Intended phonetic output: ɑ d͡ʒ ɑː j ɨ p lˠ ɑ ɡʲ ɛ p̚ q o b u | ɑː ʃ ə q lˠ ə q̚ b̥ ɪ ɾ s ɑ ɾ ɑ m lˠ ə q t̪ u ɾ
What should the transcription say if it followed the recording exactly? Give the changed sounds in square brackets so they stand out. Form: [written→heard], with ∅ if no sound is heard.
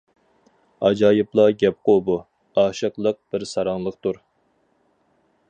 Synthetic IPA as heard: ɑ d͡ʒ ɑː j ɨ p lˠ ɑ ɡʲ ɛ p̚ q o b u | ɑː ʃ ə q lˠ ə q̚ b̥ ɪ ɾ s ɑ ɾ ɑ [m→ŋ] lˠ ə q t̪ u ɾ